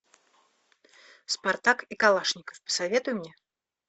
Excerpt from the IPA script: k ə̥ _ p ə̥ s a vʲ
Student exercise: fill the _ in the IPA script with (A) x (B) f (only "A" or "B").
B